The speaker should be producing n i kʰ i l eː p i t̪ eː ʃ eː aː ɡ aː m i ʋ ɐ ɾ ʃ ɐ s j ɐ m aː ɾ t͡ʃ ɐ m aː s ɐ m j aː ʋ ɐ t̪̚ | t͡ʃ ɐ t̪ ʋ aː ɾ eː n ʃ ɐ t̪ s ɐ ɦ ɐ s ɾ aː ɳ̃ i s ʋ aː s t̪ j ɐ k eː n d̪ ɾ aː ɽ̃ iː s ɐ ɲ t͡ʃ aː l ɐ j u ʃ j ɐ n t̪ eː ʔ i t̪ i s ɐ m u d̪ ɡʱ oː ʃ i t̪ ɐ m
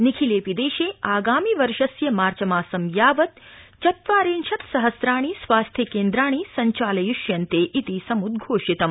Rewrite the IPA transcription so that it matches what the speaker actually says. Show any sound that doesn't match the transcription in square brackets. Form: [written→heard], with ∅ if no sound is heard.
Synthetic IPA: n i kʰ i l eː p i [t̪→d̪] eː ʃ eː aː ɡ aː m i ʋ ɐ ɾ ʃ ɐ s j ɐ m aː ɾ t͡ʃ ɐ m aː s ɐ m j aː ʋ ɐ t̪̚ | t͡ʃ ɐ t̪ ʋ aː ɾ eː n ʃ ɐ t̪ s ɐ ɦ ɐ s ɾ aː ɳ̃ i s ʋ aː s [t̪→t̪ʰ] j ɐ k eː n d̪ ɾ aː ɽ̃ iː s ɐ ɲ t͡ʃ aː l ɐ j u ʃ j ɐ n t̪ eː ʔ i t̪ i s ɐ m u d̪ ɡʱ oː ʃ i t̪ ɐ m